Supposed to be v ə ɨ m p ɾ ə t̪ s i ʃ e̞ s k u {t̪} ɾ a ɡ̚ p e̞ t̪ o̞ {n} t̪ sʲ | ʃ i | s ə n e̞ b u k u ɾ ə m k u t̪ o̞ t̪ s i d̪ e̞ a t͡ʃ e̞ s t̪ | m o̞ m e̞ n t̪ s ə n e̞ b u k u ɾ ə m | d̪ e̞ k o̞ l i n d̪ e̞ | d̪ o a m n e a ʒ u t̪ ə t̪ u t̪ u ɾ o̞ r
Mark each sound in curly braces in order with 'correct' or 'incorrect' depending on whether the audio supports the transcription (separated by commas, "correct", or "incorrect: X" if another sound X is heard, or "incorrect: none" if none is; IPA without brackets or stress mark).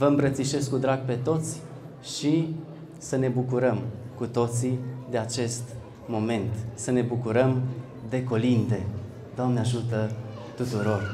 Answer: incorrect: d̪, incorrect: none